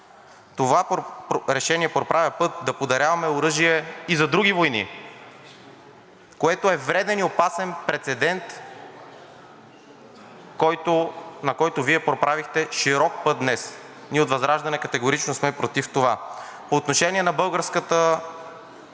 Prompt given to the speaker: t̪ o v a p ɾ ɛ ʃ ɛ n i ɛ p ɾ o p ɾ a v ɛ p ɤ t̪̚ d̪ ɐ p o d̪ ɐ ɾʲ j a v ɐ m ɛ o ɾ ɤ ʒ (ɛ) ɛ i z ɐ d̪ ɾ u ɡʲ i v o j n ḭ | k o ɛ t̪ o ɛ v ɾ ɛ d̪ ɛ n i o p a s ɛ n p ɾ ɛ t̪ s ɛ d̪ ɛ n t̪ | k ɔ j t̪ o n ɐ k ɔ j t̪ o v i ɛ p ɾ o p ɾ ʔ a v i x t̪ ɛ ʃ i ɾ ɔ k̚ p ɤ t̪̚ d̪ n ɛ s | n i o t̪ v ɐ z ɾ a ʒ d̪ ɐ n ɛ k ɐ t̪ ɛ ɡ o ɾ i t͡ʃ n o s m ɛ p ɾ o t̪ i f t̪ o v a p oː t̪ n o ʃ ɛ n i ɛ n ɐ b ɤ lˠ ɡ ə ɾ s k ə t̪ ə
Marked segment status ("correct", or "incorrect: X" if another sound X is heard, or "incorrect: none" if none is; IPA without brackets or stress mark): incorrect: i